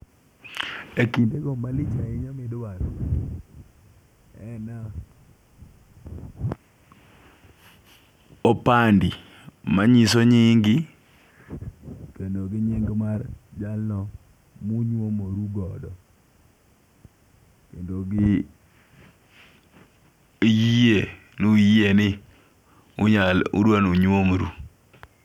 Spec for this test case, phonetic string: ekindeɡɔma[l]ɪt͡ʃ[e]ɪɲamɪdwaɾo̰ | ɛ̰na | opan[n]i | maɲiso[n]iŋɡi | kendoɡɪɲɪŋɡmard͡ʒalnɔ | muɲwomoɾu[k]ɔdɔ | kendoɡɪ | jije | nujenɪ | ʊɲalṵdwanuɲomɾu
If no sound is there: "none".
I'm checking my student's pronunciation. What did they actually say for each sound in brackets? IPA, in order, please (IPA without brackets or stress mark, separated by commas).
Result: l, a, d, ɲ, ɡ